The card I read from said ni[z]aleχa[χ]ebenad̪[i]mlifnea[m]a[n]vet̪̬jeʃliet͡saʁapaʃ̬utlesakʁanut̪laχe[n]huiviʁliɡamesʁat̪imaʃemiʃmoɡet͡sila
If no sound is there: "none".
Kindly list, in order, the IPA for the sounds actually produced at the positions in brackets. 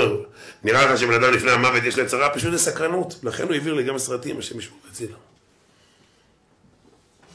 ʁ, ʃ, a, m, none, n

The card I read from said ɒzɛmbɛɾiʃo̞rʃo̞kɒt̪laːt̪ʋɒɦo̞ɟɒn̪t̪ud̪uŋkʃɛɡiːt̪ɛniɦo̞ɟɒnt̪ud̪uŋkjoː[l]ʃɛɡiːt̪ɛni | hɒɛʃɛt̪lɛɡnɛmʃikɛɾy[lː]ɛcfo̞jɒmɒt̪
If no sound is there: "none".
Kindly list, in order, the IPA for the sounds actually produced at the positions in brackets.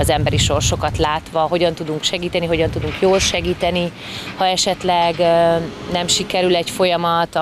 l, l

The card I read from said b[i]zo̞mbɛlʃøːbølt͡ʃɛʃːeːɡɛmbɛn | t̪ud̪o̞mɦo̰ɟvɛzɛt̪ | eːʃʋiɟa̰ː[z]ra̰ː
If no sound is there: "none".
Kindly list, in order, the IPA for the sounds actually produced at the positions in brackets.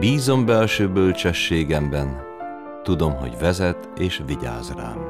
iː, z

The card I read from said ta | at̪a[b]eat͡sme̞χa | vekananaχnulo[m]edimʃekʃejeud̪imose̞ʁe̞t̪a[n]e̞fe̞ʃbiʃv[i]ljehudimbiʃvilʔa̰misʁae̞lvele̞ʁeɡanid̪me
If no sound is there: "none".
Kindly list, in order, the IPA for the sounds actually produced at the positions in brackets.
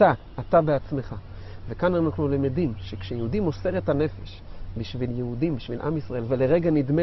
b, m, n, i

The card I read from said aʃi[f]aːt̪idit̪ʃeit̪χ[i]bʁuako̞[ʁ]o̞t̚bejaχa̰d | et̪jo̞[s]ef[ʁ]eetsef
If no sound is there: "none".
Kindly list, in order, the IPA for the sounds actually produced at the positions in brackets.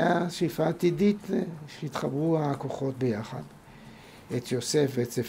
f, a, χ, s, v

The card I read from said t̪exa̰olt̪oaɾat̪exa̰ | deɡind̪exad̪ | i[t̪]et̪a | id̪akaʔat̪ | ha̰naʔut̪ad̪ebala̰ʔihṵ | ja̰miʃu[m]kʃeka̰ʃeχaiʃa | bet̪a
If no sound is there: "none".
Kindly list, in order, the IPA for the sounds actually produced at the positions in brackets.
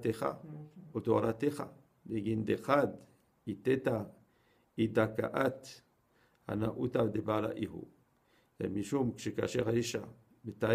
t̪, m

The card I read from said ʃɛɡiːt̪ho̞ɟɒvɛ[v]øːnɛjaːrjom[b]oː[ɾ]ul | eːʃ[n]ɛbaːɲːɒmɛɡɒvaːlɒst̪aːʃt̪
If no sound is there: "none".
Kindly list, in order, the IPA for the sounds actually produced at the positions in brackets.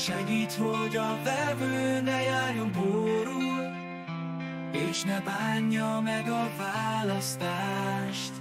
v, b, ɾ, n

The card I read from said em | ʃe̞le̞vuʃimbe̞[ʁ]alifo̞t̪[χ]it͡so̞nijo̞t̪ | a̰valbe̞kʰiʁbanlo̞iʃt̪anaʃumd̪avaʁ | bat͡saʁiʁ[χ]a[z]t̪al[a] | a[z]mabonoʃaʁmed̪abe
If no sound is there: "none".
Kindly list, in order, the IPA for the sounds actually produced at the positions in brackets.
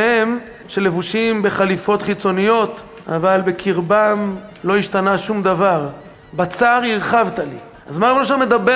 χ, χ, χ, v, i, z

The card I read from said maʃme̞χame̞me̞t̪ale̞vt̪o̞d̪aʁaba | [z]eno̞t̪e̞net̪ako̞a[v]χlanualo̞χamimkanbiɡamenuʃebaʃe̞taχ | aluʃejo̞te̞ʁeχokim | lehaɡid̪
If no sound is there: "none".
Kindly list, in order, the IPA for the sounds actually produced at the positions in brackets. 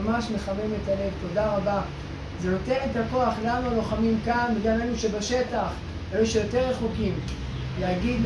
z, none

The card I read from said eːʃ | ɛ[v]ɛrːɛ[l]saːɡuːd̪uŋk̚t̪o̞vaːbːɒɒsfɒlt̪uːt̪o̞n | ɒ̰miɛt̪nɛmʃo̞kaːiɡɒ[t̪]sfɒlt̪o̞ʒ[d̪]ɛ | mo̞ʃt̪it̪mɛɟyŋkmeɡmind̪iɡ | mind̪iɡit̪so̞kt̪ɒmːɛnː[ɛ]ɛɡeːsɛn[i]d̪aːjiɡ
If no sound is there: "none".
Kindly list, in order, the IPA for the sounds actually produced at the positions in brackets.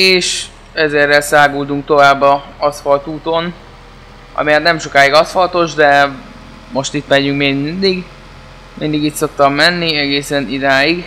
z, l, none, d̪, i, i

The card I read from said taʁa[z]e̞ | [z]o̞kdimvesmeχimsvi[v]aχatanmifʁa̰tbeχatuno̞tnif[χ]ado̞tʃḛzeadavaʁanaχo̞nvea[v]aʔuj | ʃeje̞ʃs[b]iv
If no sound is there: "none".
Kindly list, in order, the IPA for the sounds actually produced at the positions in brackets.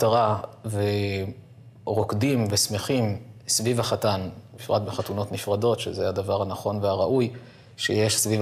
v, ʁ, v, ʁ, ʁ, v

